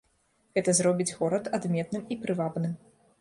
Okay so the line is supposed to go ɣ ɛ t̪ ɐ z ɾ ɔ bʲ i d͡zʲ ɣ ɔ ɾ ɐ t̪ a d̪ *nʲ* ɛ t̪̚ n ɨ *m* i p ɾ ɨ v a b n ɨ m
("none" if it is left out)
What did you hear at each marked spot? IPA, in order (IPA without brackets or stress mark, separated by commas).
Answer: mʲ, m